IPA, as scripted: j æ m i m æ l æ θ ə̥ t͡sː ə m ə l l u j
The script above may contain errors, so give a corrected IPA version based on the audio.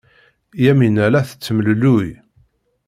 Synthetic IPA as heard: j æ m i n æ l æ θ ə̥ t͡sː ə m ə l l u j

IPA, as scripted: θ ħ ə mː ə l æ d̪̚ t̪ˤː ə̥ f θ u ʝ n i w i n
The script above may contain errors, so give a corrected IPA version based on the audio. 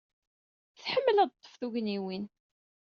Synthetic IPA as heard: θ ħ ə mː ə l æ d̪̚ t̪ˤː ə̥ f θ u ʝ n i w i n

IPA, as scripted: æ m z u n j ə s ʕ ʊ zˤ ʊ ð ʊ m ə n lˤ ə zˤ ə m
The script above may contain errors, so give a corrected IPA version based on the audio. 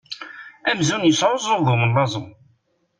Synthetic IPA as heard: æ m z u n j ə s ʕ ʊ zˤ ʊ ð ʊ m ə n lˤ ɑ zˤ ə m

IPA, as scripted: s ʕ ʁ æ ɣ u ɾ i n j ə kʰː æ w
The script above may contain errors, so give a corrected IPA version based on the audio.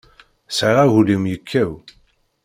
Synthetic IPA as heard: s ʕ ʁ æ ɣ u l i m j ə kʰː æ w

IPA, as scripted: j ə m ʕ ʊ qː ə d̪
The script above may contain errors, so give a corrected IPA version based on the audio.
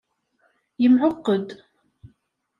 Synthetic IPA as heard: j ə m ʕ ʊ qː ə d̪

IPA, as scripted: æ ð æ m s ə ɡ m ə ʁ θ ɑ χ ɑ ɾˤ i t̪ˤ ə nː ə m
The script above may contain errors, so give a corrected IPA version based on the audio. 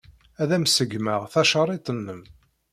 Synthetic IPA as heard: æ ð æ m s ə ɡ m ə ʁ θ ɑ ʃ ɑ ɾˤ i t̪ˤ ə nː ə m

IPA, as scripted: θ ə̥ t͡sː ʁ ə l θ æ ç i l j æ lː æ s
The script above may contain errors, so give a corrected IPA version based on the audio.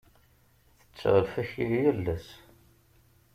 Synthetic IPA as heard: θ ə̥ t͡sː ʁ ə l f æ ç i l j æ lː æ s

